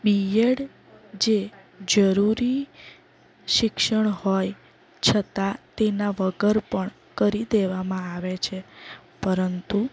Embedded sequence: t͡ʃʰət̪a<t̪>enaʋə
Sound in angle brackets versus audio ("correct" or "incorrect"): correct